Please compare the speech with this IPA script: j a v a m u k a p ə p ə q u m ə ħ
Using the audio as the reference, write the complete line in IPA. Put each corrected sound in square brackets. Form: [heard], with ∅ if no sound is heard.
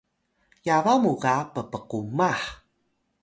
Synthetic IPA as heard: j a v a m u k a p ə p ə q u m [a] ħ